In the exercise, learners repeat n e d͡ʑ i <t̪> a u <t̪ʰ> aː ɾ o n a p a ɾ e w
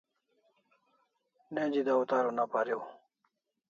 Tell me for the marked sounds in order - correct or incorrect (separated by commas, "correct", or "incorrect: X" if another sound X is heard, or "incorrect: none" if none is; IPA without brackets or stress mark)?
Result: incorrect: d̪, incorrect: t̪